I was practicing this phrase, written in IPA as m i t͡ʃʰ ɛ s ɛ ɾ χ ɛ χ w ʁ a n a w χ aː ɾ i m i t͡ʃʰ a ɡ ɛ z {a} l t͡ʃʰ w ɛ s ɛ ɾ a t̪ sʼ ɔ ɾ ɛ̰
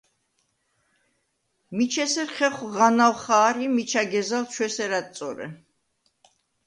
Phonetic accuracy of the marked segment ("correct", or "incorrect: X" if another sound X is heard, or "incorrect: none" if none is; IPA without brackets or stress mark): correct